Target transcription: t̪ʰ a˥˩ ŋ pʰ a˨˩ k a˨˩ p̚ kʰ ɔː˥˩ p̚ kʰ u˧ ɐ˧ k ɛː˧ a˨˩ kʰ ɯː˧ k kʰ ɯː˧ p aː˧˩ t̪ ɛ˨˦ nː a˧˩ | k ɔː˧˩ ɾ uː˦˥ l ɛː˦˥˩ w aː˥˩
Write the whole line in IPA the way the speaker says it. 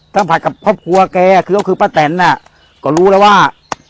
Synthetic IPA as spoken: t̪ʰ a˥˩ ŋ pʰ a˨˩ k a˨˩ p̚ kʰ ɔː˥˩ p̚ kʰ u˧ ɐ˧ k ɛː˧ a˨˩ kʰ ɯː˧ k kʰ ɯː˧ p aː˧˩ t̪ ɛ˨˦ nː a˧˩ | k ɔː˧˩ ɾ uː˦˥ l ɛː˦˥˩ w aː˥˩